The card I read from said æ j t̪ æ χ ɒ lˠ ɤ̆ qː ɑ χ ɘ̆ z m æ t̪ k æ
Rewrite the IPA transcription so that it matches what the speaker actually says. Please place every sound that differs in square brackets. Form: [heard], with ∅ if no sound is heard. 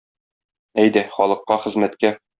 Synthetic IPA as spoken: æ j [d̪] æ χ ɒ lˠ ɤ̆ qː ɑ χ ɘ̆ z m æ t̪ k æ